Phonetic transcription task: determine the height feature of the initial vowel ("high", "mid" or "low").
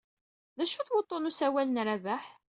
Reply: low